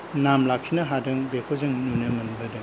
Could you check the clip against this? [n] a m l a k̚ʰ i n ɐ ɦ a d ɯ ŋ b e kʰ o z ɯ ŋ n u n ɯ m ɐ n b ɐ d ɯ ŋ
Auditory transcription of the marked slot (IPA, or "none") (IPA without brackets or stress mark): n